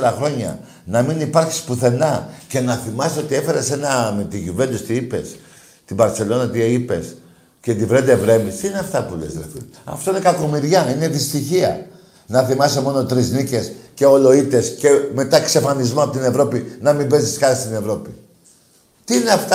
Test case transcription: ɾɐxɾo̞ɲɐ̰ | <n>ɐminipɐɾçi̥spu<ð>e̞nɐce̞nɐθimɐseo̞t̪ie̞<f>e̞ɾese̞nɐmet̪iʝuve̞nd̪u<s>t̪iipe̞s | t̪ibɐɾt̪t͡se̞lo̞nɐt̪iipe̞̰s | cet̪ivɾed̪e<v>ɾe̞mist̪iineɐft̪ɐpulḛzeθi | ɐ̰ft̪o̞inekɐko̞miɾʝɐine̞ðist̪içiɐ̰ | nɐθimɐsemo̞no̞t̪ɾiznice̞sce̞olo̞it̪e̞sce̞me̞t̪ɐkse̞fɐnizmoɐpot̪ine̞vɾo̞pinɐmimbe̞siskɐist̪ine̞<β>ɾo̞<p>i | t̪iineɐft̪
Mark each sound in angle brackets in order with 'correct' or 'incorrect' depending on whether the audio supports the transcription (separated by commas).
correct, incorrect, correct, correct, correct, incorrect, correct